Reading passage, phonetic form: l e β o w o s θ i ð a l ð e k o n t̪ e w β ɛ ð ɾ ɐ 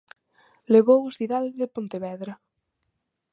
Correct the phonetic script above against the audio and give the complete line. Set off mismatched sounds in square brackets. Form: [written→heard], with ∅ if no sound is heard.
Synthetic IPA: l e β o w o s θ i ð a l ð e [k→p] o n t̪ e [w→∅] β ɛ ð ɾ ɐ